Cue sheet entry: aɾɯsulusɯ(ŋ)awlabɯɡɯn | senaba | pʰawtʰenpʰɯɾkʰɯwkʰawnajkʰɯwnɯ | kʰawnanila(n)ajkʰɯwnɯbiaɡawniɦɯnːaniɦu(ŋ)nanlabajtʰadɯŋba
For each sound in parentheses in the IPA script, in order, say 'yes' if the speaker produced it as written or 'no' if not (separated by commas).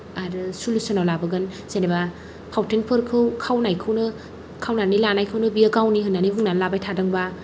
no, yes, yes